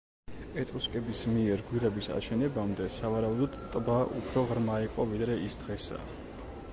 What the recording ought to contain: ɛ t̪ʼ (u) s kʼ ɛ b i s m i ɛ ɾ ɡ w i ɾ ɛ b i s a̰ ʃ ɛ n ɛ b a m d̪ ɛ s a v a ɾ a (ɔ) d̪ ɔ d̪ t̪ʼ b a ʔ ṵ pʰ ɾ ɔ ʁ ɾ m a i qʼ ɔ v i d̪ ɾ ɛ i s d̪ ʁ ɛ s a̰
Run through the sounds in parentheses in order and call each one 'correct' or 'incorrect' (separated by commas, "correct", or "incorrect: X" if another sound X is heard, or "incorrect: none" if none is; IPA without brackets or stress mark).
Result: correct, incorrect: u